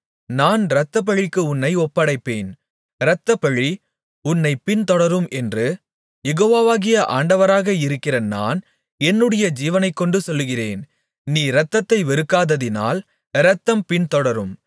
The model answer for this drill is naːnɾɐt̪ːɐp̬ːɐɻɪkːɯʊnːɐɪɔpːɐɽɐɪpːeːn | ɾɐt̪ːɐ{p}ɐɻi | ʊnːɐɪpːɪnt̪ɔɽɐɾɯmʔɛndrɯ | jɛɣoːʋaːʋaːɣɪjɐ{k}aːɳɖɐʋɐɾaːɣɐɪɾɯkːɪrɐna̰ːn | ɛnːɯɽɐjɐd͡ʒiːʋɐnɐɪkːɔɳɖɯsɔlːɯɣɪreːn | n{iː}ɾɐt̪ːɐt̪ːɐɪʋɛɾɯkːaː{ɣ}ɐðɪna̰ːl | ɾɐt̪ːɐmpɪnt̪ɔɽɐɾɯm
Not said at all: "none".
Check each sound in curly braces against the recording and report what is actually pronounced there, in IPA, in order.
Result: p, ʔ, iː, ð

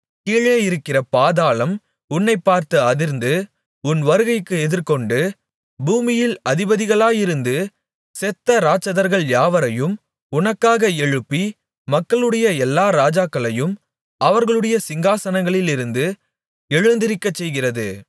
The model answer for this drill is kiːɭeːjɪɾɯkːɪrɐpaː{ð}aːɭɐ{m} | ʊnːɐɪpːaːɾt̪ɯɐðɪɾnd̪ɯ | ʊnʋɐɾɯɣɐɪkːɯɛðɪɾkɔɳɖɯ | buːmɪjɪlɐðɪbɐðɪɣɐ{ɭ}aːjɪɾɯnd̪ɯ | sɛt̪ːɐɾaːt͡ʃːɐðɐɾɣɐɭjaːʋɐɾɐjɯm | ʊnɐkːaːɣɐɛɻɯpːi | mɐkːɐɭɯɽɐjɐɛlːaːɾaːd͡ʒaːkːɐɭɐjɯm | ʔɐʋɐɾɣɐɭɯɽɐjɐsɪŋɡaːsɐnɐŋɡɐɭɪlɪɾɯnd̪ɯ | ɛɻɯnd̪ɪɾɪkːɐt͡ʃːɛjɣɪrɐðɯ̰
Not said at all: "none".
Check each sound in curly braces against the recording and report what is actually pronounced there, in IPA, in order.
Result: ð, m, ɭ

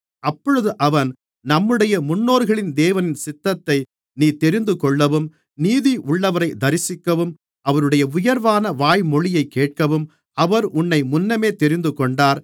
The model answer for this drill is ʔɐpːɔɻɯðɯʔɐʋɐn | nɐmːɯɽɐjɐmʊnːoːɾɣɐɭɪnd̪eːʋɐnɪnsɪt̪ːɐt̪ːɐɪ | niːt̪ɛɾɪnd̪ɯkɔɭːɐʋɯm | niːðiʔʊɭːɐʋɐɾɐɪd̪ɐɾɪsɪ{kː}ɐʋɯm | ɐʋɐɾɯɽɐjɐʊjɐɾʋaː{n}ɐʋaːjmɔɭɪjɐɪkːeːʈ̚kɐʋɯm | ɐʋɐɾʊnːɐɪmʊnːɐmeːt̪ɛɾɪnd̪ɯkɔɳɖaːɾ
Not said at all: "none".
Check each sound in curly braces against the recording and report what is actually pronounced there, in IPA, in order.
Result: kː, n

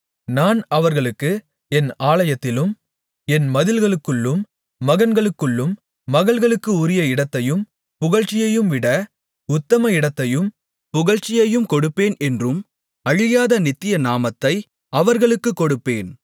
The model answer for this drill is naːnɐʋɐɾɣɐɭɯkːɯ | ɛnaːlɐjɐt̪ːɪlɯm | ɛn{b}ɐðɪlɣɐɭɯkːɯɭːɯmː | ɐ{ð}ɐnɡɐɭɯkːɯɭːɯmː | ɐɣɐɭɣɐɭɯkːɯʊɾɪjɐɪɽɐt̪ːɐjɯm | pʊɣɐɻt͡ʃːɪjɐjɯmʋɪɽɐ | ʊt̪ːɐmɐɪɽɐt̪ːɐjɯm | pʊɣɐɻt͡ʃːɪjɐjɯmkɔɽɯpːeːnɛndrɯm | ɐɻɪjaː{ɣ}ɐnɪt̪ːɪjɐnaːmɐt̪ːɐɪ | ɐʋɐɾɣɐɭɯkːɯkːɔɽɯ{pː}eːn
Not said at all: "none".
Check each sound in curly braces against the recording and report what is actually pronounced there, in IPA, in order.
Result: m, ɣ, ð, pː

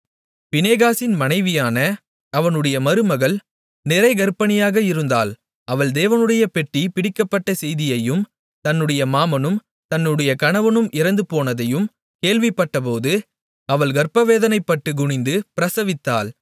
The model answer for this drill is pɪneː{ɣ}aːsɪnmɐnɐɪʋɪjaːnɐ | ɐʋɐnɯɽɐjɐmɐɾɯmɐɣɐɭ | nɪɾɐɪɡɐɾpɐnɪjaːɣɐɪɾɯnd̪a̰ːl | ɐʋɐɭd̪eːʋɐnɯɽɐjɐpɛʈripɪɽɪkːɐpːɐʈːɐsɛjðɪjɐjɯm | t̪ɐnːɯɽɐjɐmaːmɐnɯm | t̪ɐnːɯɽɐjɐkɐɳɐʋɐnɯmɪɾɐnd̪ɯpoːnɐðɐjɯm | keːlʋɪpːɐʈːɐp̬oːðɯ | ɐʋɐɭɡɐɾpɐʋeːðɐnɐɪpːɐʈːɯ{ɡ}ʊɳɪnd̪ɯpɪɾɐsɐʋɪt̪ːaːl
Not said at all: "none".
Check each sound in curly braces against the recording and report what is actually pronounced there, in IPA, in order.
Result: ɣ, ɡ

